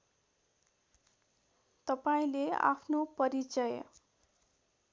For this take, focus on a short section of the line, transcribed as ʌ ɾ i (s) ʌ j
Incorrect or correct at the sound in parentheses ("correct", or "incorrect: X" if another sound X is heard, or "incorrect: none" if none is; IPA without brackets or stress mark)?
incorrect: t͡s